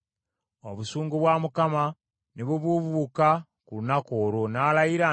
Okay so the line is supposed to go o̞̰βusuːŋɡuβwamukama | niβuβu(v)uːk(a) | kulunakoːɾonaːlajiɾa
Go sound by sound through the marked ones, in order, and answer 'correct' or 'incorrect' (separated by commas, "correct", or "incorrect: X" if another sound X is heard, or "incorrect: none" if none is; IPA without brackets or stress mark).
incorrect: β, correct